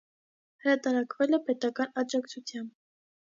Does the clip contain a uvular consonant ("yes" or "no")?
no